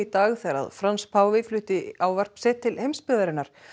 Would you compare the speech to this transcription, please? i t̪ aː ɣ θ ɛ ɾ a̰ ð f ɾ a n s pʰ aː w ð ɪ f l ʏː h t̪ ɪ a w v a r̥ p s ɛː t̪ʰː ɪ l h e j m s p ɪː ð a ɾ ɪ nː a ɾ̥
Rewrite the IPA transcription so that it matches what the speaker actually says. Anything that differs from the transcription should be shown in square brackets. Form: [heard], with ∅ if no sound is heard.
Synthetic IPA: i t̪ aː ɣ θ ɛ ɾ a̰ ð f ɾ a n s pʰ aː w [v] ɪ f l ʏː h t̪ ɪ a w v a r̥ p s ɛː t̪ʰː ɪ l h e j m s p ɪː ð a ɾ ɪ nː a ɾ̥